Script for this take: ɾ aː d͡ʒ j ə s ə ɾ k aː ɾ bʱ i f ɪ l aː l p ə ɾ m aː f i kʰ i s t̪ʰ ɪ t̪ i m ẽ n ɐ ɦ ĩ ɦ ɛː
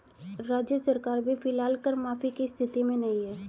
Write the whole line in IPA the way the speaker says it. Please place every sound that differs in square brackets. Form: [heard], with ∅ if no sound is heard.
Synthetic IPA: ɾ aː d͡ʒ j ə s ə ɾ k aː ɾ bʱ i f ɪ l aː l [k] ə ɾ m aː f i [k] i s t̪ʰ ɪ t̪ i m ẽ n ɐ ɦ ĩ ɦ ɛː